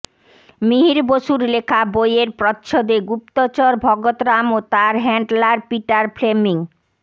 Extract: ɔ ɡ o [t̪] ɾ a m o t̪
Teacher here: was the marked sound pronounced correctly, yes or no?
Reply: yes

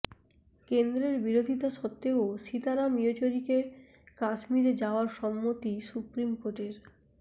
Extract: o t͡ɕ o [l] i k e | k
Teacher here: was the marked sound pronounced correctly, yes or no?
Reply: no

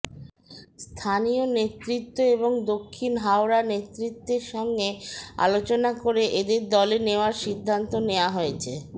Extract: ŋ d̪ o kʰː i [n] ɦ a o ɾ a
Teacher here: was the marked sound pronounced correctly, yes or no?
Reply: yes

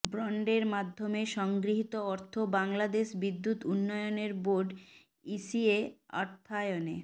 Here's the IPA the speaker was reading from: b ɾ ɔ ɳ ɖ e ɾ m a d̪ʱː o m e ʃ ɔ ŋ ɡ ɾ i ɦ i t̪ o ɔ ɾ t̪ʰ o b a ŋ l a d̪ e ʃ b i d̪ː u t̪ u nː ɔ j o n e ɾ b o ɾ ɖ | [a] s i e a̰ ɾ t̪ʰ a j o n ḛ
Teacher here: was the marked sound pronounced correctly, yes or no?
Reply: no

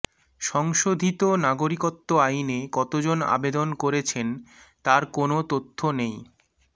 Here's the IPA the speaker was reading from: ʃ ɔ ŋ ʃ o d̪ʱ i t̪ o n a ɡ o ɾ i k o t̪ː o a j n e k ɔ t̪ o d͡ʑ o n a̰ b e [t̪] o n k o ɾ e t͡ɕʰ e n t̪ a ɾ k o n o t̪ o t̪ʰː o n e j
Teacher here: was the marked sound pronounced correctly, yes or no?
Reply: no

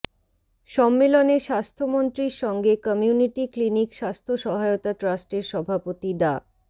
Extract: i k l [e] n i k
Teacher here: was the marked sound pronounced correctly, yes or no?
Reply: no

